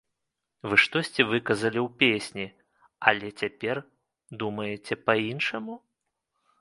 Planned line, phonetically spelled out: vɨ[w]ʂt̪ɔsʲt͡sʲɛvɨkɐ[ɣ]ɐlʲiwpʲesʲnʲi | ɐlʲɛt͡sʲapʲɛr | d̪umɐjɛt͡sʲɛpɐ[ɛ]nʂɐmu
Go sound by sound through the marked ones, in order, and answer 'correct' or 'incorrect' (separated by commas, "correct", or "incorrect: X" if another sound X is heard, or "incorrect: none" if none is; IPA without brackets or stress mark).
incorrect: none, incorrect: z, incorrect: i